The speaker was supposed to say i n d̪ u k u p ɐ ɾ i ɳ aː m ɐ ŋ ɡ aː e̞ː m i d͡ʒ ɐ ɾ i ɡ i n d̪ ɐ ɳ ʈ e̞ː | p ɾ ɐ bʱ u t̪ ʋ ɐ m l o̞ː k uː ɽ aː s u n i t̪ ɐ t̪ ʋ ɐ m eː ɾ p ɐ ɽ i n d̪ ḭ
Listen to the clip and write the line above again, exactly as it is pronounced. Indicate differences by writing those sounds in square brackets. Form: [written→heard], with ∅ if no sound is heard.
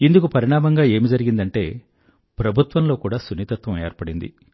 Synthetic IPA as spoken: i n d̪ u k u p ɐ ɾ i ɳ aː m ɐ ŋ ɡ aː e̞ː m i d͡ʒ ɐ ɾ i ɡ i n d̪ ɐ ɳ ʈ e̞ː | p ɾ ɐ bʱ u t̪ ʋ ɐ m l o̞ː k uː ɽ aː s u n i t̪ ɐ t̪ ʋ ɐ m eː ɾ p ɐ ɽ i n d̪ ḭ